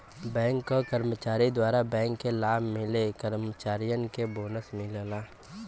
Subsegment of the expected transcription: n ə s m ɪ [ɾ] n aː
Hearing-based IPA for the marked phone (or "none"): l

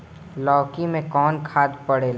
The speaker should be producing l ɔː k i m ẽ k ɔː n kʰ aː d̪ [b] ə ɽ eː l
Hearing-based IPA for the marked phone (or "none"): p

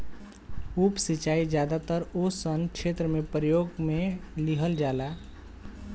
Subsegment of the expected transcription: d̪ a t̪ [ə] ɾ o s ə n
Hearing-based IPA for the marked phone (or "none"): ə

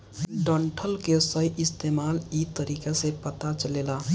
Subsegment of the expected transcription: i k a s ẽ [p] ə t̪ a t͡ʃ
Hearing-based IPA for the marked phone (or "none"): p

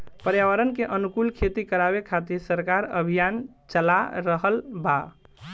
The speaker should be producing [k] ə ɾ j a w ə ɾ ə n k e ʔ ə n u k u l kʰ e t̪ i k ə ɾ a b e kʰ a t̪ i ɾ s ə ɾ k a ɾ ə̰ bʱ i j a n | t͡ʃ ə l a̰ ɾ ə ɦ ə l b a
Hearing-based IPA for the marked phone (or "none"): p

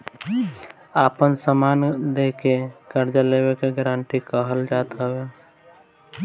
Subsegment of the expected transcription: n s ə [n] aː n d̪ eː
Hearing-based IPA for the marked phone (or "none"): m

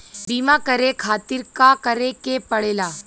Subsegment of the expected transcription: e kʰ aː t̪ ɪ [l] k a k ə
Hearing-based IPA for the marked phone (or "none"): ɾ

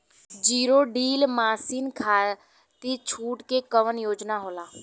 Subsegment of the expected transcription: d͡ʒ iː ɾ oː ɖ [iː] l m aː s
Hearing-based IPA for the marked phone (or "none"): iː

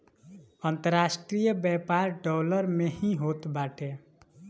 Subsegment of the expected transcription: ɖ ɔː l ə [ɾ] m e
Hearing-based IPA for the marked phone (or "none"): ɾ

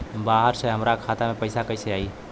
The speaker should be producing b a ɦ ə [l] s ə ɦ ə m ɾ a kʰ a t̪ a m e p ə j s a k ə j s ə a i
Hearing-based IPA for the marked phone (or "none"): ɾ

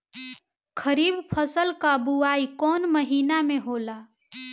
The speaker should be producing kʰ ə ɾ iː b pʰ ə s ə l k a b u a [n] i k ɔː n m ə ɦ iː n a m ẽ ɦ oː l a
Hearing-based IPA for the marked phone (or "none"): none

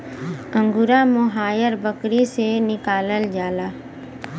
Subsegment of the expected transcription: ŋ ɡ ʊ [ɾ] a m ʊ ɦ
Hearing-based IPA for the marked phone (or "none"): ɾ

